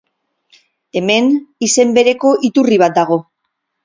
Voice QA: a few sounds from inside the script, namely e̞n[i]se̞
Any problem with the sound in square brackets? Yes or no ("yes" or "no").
no